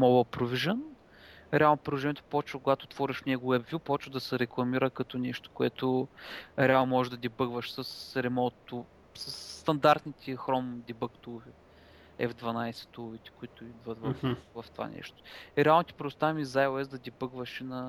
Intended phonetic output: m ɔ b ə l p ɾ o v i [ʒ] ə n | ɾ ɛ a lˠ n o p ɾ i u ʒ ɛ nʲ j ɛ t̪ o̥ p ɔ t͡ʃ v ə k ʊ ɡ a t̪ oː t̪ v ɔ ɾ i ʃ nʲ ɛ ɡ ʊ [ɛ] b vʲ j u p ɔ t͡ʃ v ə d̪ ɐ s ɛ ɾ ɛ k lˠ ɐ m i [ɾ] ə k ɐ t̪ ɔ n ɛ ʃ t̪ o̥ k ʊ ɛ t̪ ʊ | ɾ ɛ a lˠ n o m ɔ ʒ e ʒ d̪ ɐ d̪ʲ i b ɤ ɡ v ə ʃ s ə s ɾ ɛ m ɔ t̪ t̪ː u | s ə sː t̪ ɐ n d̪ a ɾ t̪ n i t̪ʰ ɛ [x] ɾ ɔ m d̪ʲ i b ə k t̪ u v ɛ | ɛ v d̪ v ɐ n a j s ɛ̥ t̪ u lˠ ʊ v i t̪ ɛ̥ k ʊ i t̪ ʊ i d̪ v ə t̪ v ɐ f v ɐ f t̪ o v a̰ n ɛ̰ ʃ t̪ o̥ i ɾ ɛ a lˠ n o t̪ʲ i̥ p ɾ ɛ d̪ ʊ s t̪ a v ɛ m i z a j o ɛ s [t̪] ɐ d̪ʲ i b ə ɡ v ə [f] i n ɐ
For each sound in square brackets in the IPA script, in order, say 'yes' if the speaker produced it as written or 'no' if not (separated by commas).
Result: yes, yes, yes, yes, no, no